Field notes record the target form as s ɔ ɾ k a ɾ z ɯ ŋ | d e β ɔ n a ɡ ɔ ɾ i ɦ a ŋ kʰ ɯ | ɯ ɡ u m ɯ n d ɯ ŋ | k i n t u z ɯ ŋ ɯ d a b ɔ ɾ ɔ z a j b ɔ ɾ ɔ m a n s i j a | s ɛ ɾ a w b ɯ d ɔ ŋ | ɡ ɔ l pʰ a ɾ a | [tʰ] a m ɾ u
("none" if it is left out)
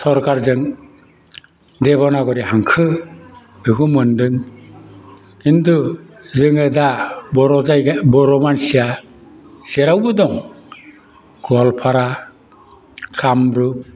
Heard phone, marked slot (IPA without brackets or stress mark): kʰ